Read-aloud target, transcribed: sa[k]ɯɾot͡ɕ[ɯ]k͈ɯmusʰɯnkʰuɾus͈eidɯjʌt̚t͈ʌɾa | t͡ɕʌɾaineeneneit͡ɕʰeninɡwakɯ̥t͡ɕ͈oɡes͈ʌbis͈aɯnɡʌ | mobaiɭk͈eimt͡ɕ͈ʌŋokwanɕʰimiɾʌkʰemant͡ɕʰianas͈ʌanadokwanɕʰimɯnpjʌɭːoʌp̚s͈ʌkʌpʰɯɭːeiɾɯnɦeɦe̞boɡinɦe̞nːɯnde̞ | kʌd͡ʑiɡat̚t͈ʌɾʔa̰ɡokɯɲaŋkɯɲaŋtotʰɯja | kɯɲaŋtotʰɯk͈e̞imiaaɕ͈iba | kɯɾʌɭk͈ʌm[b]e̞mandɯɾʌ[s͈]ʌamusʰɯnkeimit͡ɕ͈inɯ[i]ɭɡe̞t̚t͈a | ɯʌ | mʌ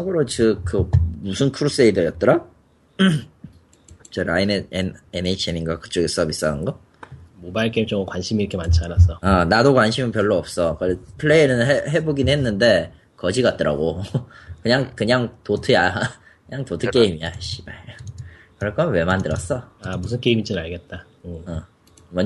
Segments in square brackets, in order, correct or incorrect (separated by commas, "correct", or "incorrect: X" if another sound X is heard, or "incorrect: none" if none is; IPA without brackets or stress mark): incorrect: ɡ, correct, incorrect: w, correct, incorrect: a